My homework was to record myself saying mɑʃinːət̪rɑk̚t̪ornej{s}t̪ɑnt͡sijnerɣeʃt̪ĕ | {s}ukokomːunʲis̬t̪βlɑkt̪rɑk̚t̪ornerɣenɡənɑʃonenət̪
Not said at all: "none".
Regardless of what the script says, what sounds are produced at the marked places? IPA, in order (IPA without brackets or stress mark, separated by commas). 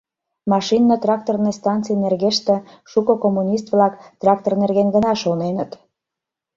s, ʃ